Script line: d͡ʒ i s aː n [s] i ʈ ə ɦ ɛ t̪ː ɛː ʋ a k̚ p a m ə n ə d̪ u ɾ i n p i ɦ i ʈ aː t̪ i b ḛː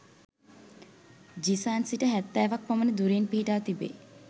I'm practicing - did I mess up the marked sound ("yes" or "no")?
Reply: no